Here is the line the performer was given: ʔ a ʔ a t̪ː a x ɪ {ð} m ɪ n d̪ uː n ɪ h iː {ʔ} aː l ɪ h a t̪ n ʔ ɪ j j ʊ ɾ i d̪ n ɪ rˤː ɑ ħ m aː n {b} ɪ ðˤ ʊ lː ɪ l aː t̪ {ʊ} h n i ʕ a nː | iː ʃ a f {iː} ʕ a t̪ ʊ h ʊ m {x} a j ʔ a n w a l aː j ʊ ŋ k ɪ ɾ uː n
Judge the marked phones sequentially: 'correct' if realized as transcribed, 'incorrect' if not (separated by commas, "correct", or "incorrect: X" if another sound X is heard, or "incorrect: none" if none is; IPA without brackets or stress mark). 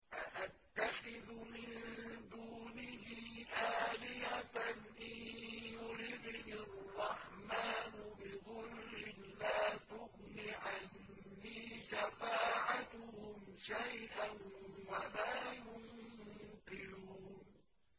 correct, correct, correct, correct, incorrect: aː, incorrect: ʃ